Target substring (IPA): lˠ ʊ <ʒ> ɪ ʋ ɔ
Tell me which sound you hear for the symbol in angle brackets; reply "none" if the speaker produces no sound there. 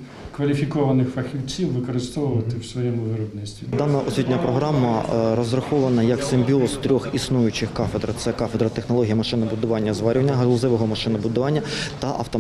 z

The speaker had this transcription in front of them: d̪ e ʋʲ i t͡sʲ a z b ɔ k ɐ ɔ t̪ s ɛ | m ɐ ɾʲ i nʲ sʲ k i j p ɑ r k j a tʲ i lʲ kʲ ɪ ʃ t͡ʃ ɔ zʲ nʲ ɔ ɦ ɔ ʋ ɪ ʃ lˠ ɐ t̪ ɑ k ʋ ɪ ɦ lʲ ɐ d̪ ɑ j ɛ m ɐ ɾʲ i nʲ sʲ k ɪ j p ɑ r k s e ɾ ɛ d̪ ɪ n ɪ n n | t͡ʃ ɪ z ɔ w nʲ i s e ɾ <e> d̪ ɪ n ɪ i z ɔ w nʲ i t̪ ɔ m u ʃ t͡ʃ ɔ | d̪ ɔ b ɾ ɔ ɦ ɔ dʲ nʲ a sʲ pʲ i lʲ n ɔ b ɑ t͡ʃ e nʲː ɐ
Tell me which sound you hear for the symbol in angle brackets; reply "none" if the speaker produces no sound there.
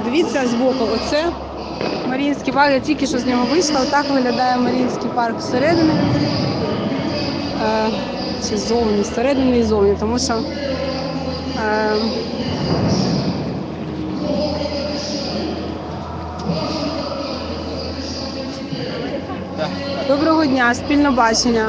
ɛ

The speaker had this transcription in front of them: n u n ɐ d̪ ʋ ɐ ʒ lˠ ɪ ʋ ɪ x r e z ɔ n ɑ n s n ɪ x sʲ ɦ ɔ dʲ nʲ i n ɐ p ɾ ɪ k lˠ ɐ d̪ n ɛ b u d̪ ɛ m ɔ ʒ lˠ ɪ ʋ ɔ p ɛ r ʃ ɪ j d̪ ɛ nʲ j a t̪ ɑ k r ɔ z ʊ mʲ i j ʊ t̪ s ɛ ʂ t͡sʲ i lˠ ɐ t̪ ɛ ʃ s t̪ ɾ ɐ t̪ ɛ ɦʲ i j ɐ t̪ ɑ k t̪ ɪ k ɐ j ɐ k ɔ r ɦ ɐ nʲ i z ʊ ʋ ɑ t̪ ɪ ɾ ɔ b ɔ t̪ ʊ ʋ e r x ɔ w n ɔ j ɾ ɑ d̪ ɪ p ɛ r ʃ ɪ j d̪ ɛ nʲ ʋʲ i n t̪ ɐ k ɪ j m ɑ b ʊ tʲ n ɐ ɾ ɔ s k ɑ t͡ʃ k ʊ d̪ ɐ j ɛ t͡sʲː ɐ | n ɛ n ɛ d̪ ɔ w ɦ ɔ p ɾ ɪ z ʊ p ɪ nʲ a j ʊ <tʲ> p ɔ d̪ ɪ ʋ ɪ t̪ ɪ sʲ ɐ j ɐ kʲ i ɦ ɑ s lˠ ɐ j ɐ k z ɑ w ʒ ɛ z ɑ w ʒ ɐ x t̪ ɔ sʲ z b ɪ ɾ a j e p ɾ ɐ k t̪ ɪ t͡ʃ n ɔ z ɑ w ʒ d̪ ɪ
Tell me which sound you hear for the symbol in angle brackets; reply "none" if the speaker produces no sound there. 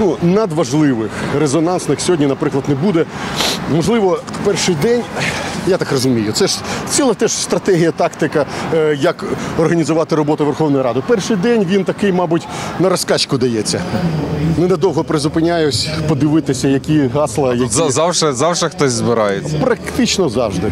sʲ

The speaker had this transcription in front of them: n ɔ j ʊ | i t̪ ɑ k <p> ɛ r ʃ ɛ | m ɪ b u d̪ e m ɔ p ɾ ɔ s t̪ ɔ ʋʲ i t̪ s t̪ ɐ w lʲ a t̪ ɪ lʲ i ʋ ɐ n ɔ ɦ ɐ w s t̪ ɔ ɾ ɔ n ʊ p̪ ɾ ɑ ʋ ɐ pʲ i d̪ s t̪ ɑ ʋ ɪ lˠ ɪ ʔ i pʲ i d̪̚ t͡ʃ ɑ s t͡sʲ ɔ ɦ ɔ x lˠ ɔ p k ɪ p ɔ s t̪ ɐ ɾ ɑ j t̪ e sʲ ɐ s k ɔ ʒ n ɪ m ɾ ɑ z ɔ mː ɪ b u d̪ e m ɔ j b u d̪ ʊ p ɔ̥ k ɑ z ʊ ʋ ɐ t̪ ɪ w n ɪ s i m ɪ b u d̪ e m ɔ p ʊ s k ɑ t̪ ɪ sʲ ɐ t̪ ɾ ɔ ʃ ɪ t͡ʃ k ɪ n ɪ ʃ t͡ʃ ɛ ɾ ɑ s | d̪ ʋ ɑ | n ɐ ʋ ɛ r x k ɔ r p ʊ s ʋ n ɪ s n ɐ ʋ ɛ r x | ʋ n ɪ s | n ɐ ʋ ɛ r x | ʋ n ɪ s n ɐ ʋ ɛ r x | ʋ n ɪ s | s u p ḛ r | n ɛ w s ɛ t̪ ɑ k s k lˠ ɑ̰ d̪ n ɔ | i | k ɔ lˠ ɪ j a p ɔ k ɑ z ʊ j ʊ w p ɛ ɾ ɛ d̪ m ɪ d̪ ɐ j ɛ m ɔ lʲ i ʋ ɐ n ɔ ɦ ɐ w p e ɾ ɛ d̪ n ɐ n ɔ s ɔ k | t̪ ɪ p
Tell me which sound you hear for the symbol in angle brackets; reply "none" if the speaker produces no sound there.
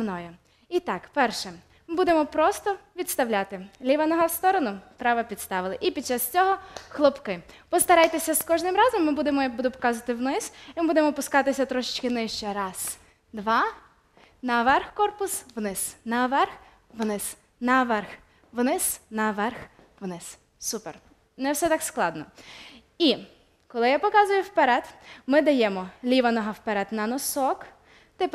p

